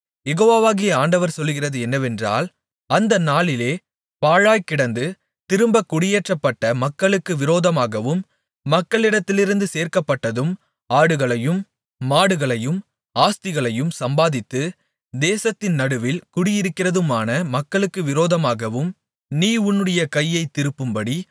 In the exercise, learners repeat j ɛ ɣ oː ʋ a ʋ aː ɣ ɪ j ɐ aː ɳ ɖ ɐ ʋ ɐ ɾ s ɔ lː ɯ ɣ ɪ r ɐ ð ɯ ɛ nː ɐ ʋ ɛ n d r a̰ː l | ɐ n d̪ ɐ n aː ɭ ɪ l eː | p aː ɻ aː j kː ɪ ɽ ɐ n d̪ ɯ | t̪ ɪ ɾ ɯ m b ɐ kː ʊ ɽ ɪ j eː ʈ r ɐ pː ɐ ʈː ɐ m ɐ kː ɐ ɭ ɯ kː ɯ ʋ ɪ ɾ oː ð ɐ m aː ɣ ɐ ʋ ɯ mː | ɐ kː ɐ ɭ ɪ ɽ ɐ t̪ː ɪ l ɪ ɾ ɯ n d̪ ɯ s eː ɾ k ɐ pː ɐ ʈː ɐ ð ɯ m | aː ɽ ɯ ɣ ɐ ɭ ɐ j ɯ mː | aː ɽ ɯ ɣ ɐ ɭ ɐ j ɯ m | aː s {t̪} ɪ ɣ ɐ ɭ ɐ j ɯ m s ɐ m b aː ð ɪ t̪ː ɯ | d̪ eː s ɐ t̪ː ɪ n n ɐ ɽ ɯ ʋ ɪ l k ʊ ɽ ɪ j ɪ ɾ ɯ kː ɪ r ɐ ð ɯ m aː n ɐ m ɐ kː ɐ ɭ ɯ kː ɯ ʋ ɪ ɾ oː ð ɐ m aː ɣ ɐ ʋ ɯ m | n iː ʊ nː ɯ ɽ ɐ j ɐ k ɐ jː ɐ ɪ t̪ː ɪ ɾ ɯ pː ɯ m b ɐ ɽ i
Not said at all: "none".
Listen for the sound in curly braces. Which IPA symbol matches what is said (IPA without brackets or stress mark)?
t̪